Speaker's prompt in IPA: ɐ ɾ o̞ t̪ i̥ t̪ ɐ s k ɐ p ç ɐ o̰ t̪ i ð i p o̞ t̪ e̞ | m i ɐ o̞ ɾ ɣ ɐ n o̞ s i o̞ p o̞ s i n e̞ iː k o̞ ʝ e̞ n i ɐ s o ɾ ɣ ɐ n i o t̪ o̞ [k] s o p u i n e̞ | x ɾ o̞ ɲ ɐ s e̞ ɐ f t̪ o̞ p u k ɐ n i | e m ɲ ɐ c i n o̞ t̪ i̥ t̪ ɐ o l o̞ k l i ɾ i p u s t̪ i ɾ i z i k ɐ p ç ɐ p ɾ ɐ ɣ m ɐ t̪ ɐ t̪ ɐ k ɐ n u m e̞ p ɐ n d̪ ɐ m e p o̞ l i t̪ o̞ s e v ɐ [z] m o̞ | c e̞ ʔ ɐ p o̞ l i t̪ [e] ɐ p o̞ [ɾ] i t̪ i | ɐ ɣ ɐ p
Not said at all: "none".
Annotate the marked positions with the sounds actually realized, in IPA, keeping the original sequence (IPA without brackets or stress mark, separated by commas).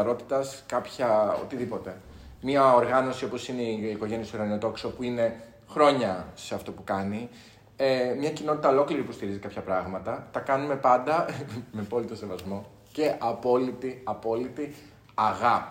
k, z, i, l